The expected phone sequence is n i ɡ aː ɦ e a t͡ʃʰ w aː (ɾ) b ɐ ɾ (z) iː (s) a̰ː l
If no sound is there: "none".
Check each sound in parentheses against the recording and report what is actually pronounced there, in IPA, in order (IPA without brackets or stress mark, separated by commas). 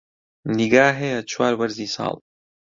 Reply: ɾ, z, s